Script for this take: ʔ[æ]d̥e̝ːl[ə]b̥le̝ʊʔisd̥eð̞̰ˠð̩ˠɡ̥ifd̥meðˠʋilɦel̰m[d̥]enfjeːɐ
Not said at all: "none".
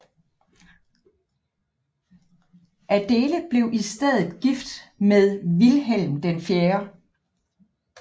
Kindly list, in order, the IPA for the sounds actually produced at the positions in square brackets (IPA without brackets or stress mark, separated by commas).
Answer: æ, ə, d̥